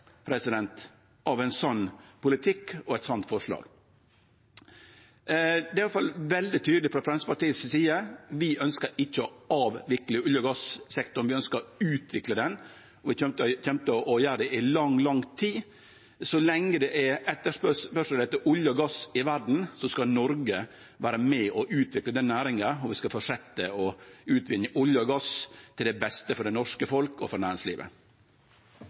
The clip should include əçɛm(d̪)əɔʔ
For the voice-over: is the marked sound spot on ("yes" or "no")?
no